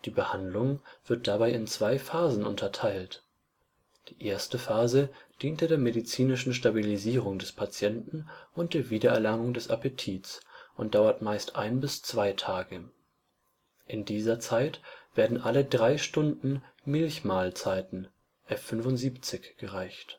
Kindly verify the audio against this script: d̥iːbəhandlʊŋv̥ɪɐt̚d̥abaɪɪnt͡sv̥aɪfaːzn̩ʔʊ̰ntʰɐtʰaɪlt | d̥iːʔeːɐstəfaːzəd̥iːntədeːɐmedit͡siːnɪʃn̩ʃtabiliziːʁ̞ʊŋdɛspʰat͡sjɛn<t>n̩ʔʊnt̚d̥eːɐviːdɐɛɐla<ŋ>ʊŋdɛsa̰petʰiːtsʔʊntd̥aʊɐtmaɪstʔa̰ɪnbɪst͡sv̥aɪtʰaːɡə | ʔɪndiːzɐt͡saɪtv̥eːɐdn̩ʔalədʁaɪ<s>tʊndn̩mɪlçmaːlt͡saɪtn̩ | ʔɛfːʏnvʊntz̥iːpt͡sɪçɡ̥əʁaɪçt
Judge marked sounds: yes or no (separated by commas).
yes, yes, no